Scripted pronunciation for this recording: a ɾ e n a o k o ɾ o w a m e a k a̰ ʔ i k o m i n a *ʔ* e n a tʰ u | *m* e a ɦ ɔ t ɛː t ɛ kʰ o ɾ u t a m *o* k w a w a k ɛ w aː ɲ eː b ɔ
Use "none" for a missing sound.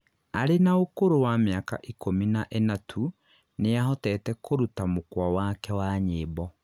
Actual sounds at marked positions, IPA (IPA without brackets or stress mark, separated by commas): ʔ, n, o